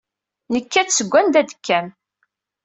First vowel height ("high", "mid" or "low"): mid